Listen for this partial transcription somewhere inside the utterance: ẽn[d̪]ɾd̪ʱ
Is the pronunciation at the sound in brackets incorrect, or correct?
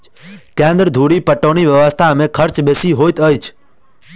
correct